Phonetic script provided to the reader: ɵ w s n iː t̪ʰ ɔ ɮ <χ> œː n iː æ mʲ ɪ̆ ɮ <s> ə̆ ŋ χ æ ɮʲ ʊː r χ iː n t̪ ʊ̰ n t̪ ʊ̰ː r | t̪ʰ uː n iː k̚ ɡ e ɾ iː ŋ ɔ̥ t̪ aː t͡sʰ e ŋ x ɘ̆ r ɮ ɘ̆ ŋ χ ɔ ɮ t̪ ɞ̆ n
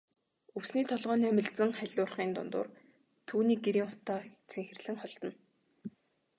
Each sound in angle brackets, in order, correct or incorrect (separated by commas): incorrect, incorrect